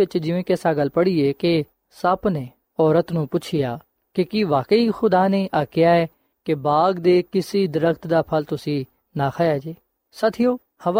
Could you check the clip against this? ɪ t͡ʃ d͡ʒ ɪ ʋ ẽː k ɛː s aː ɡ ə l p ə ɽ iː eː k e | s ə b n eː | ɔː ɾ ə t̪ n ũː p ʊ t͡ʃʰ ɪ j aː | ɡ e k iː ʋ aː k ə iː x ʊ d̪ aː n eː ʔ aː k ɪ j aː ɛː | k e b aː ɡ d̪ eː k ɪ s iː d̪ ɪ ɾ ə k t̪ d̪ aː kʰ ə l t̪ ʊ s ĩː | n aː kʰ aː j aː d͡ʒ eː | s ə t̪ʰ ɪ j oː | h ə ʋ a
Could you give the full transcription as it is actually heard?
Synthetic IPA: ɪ t͡ʃ d͡ʒ ɪ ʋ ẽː k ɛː s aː ɡ ə l p ə ɽ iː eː k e | s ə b n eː | ɔː ɾ ə t̪ n ũː p ʊ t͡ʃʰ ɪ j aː | k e k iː ʋ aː k ə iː x ʊ d̪ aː n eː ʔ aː k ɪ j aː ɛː | k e b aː ɡ d̪ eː k ɪ s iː d̪ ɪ ɾ ə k t̪ d̪ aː pʰ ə l t̪ ʊ s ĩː | n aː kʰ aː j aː d͡ʒ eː | s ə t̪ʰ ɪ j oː | h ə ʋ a